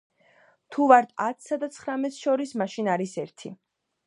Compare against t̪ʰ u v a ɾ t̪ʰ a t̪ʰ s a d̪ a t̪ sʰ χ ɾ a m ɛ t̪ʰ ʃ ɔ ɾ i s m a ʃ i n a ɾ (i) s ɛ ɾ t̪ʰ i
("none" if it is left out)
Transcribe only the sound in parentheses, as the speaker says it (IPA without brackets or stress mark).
i